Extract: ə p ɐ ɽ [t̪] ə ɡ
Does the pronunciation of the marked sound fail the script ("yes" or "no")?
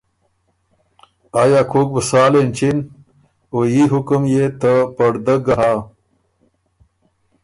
yes